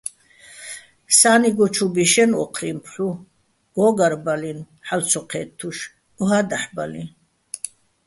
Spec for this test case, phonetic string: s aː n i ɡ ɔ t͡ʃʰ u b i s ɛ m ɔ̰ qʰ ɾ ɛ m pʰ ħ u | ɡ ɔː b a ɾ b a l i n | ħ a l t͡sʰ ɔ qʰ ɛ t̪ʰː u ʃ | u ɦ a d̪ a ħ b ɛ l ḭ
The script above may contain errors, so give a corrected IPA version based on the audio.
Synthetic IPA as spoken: s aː n i ɡ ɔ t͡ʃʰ u b i ʃ ɛ n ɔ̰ qʰ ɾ i m pʰ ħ u | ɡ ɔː ɡ a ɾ b a l i n | ħ a l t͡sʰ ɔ qʰ ɛ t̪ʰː u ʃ | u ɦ a d̪ a ħ b a l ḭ

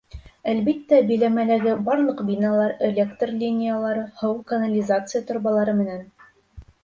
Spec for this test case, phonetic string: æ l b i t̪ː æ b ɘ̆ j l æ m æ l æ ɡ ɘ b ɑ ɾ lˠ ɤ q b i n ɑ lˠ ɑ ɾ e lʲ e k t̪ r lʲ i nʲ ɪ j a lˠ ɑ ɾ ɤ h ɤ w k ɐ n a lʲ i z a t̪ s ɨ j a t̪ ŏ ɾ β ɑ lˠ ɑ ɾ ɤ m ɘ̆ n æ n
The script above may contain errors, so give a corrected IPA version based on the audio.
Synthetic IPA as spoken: æ l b i t̪ː æ b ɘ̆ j l æ m æ l æ ɡ ɘ b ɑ ɾ lˠ ɤ q b i n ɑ lˠ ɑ ɾ e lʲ e k t̪ r lʲ i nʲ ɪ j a lˠ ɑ ɾ ɤ h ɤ w k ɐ n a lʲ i z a t̪ s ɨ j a t̪ ŏ ɾ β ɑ lˠ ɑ ɾ ɤ m ɘ̆ n æ n

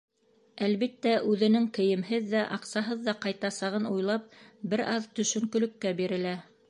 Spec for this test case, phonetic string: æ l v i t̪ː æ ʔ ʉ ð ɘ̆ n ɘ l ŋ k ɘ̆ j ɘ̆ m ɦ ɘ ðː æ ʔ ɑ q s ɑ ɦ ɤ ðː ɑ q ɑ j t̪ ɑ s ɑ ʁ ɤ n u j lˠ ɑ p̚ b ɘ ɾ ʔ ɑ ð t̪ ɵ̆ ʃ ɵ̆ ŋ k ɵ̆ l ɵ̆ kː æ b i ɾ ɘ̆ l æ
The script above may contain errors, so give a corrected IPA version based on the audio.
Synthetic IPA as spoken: æ l β i t̪ː æ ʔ ʉ ð ɘ̆ n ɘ ŋ k ɘ̆ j ɘ̆ m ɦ ɘ ðː æ ʔ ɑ q s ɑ ɦ ɤ ðː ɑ q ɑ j t̪ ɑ s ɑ ʁ ɤ n u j lˠ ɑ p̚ b ɘ ɾ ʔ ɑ ð t̪ ɵ̆ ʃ ɵ̆ ŋ k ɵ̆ l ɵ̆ kː æ b i ɾ ɘ̆ l æ

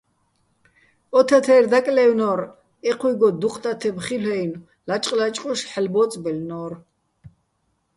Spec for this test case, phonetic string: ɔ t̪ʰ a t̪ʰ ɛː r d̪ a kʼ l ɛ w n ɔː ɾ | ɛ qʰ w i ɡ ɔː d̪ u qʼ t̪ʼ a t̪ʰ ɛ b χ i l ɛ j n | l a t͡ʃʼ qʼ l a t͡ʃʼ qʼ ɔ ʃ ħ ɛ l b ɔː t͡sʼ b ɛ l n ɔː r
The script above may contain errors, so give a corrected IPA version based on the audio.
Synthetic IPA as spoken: ɔ t̪ʰ a t̪ʰ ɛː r d̪ a kʼ l ɛ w n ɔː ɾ | ɛ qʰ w i ɡ ɔ d̪ u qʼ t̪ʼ a t̪ʰ ɛ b χ i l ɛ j n | l a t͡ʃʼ qʼ l a t͡ʃʼ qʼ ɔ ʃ ħ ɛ l b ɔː t͡sʼ b ɛ l n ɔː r

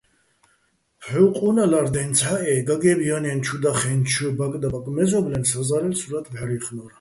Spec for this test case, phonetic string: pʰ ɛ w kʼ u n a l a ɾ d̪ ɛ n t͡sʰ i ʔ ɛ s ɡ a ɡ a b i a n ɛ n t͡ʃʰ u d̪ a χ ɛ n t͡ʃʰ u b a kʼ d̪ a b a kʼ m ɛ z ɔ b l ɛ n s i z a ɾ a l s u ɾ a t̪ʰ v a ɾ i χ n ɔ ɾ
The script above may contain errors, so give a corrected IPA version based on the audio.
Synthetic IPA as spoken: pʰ ɛ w qʼ u n a l a ɾ d̪ ɛ n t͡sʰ a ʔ ɛ ɡ a ɡ ɛ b i a n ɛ n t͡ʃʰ u d̪ a χ ɛ n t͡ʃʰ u b a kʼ d̪ a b a kʼ m ɛ z ɔ b l ɛ n s a z a ɾ ɛ l s u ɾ a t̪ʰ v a ɾ i χ n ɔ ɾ

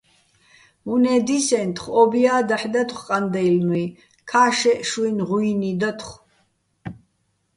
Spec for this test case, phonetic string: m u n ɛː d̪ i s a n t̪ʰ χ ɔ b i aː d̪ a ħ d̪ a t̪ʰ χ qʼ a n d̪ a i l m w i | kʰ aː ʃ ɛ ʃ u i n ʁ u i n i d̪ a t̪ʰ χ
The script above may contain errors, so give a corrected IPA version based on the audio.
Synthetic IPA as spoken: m u n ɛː d̪ i s ɛ n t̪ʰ χ ɔ b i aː d̪ a ħ d̪ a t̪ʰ χ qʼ a n d̪ ɛ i l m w i | kʰ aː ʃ ɛ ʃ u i n ʁ u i n i d̪ a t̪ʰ χ

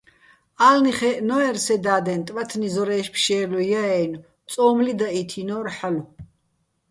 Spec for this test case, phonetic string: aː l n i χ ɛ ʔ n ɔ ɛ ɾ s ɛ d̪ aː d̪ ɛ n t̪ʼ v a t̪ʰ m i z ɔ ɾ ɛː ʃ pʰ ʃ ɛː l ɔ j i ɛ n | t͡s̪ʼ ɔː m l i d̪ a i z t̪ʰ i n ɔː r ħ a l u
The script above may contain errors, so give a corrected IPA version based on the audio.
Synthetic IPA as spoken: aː l n i χ ɛ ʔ n ɔ ɛ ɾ s ɛ d̪ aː d̪ ɛ n t̪ʼ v a t̪ʰ n i z ɔ ɾ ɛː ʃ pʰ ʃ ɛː l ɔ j a ɛ n | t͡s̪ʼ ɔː m l i d̪ a i t̪ʰ i n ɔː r ħ a l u

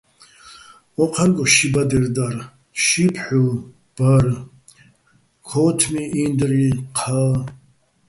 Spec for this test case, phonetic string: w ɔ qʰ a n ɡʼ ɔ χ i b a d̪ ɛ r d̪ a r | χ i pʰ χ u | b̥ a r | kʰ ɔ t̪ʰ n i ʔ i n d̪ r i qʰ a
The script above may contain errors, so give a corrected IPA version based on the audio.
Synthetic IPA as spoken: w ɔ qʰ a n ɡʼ ɔ ʃ i b a d̪ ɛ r d̪ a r | ʃ i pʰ ħ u | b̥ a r | kʰ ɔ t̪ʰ m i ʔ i n d̪ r i qʰ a

